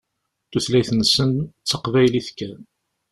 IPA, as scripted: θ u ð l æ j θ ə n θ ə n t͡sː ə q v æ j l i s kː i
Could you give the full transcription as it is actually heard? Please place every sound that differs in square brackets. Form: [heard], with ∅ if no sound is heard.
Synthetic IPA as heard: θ u [θ] l æ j θ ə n [s] ə n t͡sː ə q v æ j l i [θ] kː [æ]